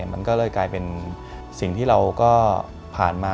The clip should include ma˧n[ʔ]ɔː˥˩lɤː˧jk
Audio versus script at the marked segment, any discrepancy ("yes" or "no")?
yes